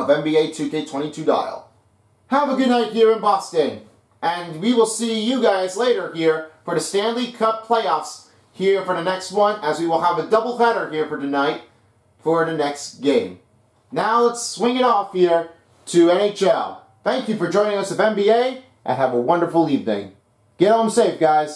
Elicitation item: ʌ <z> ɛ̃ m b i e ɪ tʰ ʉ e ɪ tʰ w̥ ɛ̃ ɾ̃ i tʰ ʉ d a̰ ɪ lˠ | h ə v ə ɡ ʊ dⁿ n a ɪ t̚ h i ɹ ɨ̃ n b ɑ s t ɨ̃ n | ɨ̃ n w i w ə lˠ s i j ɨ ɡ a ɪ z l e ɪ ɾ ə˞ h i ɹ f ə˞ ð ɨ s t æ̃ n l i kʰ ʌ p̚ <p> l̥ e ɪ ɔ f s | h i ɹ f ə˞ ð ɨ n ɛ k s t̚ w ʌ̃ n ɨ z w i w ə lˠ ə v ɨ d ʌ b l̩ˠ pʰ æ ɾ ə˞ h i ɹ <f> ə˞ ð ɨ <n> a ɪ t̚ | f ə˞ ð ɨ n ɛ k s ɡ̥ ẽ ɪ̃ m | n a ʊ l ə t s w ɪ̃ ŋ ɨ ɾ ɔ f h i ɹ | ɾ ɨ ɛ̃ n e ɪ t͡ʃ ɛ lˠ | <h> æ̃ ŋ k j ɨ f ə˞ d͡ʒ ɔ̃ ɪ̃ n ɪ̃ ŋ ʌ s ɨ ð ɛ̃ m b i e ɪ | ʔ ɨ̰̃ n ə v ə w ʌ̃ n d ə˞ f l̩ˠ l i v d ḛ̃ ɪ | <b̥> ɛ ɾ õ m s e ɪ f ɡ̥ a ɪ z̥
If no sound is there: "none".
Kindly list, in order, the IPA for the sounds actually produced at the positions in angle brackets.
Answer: v, pʰ, f, n, θ, ɡ̥

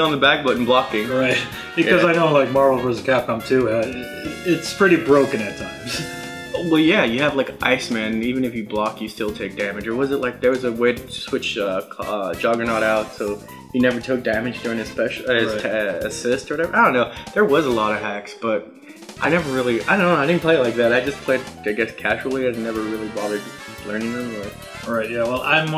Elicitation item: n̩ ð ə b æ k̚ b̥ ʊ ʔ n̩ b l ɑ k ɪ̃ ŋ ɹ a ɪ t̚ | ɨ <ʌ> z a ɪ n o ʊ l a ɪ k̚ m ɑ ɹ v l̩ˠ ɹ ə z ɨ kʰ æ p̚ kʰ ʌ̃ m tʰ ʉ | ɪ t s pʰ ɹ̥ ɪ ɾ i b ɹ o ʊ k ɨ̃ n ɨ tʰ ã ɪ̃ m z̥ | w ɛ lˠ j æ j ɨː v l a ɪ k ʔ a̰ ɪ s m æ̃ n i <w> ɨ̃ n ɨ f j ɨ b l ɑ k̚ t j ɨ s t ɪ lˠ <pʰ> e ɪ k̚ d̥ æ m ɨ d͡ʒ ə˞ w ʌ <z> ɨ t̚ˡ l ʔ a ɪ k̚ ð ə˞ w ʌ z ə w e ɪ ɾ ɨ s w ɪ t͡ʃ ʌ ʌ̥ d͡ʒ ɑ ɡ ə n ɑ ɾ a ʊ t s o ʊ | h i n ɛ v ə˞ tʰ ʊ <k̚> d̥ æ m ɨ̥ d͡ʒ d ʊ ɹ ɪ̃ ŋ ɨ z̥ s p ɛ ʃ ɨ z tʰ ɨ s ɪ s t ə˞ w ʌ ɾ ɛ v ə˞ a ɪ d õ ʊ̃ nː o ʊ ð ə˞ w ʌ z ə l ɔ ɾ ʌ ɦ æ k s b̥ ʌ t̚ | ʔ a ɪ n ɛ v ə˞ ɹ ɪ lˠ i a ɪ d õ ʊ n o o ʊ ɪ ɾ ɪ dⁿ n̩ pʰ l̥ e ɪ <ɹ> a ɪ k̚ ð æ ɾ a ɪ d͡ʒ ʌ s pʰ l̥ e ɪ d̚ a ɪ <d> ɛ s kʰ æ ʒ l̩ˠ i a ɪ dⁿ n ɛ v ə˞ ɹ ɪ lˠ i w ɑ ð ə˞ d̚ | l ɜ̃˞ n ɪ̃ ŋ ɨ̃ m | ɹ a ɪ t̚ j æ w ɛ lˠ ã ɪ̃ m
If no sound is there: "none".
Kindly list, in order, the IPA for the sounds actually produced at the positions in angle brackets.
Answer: ʌ, v, tʰ, z, k̚, l, ɡ

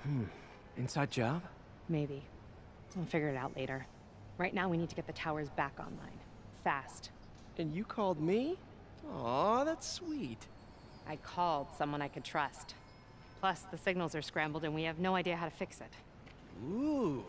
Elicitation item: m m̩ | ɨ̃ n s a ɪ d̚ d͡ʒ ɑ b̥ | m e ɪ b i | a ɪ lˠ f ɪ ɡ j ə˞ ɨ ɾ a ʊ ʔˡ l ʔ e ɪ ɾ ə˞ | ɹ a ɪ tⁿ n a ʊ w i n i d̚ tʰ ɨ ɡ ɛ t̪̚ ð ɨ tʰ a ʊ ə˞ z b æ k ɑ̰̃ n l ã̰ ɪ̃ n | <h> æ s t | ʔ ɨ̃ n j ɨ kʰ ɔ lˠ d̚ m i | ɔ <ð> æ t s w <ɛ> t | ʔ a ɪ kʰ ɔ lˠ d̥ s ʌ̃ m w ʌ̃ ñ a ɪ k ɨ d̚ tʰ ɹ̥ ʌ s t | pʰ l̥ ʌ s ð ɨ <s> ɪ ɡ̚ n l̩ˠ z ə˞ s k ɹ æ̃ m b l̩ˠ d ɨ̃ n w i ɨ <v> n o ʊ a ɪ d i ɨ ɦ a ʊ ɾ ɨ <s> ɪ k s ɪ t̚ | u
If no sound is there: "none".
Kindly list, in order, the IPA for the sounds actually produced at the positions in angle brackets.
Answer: f, ð, i, s, v, f

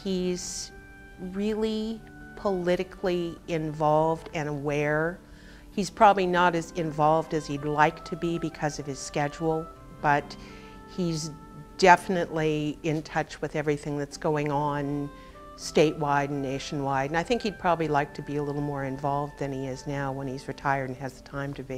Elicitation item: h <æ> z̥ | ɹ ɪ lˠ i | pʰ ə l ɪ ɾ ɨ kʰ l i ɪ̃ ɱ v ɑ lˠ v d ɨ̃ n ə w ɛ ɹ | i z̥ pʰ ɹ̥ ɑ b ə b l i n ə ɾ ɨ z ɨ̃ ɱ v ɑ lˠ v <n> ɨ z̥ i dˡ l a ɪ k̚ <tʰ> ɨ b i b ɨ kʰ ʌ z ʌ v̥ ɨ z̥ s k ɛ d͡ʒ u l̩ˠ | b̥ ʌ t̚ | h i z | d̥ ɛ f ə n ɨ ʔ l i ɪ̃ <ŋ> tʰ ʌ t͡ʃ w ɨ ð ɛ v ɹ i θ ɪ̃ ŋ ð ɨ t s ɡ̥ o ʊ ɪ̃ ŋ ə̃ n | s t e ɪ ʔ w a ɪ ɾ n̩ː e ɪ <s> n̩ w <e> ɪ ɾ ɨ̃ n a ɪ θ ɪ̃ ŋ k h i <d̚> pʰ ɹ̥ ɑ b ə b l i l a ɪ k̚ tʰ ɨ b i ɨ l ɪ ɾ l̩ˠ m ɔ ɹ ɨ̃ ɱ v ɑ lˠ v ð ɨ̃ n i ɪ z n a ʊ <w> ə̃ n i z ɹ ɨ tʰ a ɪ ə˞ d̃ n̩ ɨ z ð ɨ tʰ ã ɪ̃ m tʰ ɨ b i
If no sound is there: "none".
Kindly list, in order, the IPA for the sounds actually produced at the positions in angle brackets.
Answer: i, d, tʰ, n, ʃ, a, d̚, w

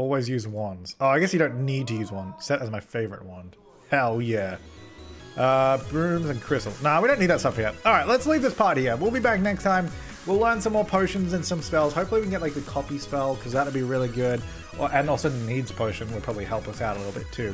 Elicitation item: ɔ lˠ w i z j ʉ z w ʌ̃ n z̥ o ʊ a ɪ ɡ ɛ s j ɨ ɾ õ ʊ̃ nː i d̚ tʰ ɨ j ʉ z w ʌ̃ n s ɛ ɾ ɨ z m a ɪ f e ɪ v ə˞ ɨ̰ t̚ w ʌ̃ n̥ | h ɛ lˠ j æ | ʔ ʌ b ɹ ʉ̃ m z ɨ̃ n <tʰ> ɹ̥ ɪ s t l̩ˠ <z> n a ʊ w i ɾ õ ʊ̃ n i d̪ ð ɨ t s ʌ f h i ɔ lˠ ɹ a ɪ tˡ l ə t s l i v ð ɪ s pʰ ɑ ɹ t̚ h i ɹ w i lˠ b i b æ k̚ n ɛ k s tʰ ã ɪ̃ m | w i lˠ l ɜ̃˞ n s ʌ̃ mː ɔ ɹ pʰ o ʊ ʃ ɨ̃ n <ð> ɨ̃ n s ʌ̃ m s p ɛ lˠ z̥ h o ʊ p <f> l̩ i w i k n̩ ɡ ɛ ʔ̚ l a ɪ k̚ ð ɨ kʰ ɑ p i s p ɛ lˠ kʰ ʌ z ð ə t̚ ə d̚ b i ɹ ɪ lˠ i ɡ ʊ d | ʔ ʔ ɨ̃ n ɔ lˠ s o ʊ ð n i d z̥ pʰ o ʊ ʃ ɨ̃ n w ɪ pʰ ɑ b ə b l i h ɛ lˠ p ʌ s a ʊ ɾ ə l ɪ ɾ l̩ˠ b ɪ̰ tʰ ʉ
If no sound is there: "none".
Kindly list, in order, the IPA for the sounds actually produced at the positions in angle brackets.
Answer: kʰ, z, z, f

